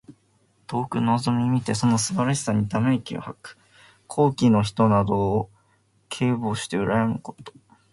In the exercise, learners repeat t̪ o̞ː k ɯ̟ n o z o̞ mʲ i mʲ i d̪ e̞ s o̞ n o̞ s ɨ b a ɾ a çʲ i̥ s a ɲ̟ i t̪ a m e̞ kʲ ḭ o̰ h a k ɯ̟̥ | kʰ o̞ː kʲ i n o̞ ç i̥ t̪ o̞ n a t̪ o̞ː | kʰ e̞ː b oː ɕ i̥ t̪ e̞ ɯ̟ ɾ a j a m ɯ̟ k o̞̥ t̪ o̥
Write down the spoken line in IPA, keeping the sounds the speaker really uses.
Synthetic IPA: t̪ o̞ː k ɯ̟ n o z o̞ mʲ i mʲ i t̪ e̞ s o̞ n o̞ s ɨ b a ɾ a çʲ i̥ s a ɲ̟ i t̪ a m e̞ kʲ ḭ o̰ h a k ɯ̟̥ | kʰ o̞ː kʲ i n o̞ ç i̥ t̪ o̞ n a d̪ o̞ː | kʰ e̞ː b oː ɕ i̥ t̪ e̞ ɯ̟ ɾ a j a m ɯ̟ k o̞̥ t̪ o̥